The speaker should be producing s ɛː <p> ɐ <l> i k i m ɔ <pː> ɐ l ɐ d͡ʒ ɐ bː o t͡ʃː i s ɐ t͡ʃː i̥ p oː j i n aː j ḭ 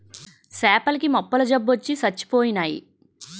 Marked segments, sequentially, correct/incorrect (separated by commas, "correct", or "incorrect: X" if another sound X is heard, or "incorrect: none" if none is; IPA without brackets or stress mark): correct, correct, correct